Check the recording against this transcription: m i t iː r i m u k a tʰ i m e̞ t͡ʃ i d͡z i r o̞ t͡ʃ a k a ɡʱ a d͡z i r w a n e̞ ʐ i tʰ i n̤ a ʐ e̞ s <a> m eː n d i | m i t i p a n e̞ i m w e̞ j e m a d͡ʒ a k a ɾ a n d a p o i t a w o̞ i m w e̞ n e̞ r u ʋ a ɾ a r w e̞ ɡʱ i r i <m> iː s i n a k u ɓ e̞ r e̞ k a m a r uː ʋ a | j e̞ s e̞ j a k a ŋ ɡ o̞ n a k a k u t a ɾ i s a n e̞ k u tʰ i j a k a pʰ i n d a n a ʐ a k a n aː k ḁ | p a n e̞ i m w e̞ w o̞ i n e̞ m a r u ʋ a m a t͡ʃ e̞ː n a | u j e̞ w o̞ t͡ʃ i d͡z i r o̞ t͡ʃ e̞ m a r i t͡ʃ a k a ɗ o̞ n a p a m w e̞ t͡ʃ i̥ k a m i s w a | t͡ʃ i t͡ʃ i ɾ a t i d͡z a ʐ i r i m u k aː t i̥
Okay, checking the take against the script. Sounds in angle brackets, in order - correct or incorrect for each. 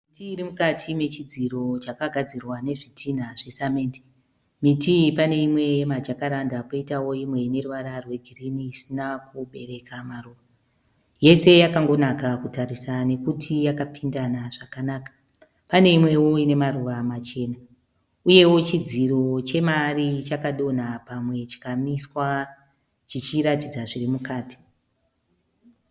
correct, incorrect

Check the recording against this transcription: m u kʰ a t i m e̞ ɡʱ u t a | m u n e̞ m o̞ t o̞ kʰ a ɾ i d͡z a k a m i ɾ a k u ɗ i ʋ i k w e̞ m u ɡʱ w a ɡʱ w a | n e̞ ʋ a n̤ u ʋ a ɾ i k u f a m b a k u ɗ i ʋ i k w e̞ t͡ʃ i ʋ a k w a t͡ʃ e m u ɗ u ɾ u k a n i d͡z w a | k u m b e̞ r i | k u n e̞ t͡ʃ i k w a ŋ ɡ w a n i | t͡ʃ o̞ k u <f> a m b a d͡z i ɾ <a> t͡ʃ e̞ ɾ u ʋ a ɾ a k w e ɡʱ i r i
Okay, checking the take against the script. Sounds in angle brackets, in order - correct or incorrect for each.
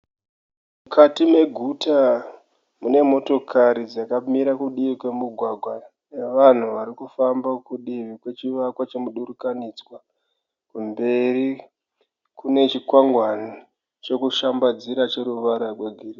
incorrect, correct

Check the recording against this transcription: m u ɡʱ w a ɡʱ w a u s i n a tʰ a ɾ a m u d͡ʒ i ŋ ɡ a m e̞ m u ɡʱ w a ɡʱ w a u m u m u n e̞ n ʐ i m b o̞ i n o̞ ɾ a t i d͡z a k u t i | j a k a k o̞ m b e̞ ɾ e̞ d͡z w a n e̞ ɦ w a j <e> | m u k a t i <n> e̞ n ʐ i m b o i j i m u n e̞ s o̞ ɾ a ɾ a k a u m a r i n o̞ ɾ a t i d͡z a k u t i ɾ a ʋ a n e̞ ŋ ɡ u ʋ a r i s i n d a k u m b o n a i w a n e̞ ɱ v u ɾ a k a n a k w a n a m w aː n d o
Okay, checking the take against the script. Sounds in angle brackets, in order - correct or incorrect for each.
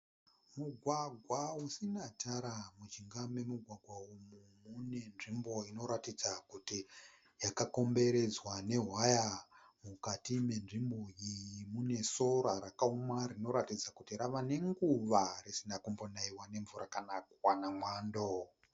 incorrect, incorrect

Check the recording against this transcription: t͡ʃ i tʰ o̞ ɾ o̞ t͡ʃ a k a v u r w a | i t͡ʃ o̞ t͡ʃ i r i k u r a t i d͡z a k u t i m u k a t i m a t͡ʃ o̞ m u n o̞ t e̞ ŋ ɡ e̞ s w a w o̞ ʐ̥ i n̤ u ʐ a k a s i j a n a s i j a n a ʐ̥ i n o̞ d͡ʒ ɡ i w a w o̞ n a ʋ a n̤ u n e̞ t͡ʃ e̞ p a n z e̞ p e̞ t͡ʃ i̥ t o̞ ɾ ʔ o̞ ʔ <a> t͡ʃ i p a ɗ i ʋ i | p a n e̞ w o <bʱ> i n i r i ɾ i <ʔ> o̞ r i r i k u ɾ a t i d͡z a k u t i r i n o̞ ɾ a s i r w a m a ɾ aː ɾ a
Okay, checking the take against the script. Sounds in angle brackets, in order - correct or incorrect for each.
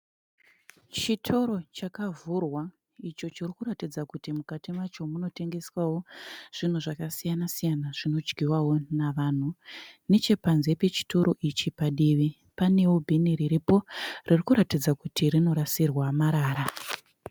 incorrect, correct, incorrect

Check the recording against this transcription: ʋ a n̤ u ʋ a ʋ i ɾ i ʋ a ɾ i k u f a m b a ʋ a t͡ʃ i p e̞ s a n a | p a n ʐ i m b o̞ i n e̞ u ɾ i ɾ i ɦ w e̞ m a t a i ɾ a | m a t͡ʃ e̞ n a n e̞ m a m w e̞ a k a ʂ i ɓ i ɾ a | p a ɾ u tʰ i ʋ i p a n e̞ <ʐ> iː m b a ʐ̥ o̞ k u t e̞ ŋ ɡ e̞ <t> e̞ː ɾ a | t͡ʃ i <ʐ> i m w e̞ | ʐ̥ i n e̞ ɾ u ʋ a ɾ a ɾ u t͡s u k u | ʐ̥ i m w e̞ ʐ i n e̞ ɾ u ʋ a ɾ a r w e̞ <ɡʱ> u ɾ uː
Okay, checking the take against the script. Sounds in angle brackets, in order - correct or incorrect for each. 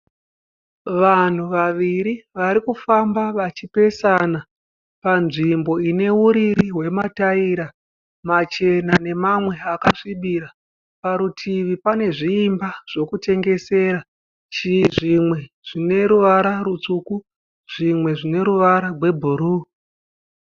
correct, incorrect, correct, incorrect

